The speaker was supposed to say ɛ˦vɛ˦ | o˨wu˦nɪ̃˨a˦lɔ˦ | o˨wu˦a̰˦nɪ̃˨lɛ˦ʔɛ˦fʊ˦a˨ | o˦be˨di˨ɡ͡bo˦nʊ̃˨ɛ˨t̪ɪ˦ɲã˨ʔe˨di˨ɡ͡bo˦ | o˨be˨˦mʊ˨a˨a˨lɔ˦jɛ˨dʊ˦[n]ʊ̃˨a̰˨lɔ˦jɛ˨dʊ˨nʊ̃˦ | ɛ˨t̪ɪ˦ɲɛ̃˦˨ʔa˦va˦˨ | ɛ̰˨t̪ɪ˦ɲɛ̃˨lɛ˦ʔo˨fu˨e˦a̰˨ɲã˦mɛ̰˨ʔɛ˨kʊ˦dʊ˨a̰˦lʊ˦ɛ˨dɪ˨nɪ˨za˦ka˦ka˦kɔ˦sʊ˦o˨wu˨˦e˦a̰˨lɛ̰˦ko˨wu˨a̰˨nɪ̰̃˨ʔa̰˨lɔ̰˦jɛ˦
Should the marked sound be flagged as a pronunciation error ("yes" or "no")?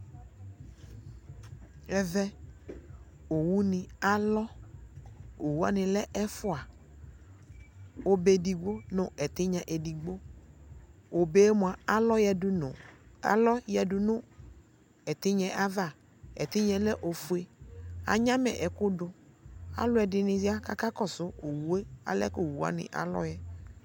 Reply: no